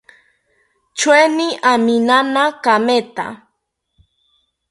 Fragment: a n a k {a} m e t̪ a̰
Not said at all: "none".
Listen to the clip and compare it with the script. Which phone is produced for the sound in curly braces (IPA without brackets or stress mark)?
a